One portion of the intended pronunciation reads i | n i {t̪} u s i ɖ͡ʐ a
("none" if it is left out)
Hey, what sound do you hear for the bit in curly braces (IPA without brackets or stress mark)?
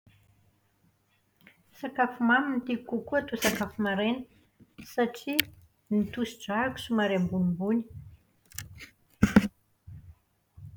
t̪